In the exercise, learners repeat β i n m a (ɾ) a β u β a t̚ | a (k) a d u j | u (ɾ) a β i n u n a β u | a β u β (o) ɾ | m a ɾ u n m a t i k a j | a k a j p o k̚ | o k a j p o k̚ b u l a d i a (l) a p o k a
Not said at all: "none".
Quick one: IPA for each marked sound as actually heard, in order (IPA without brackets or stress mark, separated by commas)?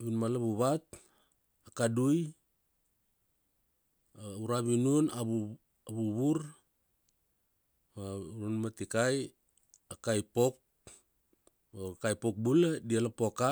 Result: l, k, ɾ, u, l